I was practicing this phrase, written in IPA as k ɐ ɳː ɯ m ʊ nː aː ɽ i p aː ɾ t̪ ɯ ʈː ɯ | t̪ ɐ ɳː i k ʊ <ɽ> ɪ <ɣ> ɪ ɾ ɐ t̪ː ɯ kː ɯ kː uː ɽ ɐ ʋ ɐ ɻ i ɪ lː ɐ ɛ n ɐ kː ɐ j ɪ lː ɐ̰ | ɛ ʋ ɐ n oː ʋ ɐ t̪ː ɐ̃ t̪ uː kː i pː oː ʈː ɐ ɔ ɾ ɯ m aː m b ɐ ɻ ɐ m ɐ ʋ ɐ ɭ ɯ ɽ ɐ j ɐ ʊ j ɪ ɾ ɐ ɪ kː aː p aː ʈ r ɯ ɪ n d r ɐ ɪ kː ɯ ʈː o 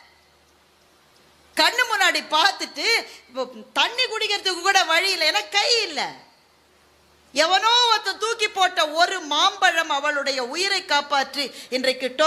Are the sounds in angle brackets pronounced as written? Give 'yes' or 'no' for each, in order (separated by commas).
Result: yes, yes